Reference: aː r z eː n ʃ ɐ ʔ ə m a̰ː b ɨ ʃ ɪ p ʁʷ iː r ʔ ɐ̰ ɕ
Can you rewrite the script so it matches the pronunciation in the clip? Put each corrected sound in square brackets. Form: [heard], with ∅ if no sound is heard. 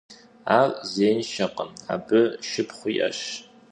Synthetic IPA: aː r z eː n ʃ ɐ [q] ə m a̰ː b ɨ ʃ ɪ p [χʷ] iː [∅] ʔ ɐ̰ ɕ

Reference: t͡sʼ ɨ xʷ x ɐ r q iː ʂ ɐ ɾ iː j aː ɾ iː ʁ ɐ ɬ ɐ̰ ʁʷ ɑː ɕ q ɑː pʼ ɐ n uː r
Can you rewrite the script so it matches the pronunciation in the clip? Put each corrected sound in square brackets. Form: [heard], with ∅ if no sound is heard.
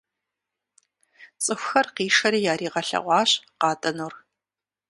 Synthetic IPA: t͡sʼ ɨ xʷ x ɐ r q iː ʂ ɐ ɾ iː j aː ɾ iː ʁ ɐ ɬ ɐ̰ ʁʷ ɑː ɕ q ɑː [tʼ] ɐ n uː r

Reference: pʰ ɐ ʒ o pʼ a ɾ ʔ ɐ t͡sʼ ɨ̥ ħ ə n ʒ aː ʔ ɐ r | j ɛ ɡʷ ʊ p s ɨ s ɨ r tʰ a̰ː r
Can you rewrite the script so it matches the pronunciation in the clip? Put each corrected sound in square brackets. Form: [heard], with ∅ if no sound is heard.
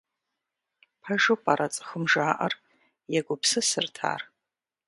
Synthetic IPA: pʰ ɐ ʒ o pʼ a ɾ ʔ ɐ t͡sʼ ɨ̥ [x] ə [m] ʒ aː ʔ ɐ r | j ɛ ɡʷ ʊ p s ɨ s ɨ r tʰ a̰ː r

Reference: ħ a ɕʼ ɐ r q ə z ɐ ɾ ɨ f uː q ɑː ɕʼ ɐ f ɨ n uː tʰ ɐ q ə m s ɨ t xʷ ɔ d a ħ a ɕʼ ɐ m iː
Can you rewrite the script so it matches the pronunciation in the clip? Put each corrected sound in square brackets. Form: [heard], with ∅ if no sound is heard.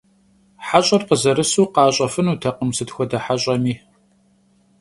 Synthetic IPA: ħ a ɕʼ ɐ r q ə z ɐ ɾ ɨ [s] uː q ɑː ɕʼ ɐ f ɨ n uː tʰ ɐ q ə m s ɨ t xʷ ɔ d [ɐ] ħ a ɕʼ ɐ m iː

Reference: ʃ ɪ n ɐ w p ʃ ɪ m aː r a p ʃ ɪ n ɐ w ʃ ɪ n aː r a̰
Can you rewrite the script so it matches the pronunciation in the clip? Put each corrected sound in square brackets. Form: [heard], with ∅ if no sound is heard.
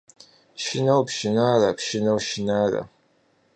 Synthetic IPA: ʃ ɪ n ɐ w p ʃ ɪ [n] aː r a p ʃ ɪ n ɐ w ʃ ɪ n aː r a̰

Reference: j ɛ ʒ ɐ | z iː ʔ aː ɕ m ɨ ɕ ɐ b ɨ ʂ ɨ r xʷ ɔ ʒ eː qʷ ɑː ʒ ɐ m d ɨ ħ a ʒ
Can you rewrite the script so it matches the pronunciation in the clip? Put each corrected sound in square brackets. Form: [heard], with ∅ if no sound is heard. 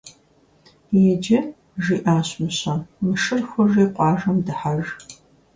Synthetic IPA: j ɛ [d͡ʒ] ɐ | [ʒ] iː ʔ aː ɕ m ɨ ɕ ɐ [m] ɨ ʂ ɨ r xʷ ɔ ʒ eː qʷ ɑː ʒ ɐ m d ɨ ħ a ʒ

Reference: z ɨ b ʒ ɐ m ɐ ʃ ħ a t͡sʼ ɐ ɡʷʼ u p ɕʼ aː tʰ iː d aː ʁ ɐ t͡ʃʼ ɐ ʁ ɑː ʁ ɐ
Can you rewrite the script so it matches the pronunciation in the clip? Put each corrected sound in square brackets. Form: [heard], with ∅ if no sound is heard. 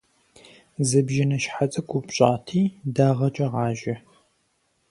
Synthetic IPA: z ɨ b ʒ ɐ [n] ɐ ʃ ħ a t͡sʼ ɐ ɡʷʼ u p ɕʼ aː tʰ iː d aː ʁ ɐ t͡ʃʼ ɐ ʁ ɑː [ʒ] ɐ

